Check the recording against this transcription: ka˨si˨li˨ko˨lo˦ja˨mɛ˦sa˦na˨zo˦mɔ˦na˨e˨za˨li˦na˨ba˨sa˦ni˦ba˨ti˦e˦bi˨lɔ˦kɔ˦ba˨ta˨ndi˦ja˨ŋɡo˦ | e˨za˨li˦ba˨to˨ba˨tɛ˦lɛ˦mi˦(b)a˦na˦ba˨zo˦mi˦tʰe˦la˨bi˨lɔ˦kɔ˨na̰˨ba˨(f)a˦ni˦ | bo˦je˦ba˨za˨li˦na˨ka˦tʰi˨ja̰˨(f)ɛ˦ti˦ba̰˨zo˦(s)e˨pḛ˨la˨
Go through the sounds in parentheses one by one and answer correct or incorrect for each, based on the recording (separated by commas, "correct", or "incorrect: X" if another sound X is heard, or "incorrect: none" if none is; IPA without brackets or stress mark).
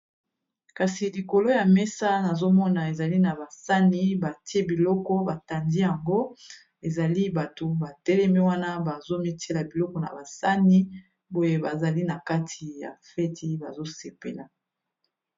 incorrect: w, incorrect: s, correct, correct